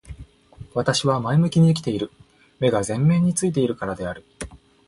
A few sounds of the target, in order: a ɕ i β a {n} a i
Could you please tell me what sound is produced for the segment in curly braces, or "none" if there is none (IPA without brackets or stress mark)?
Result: m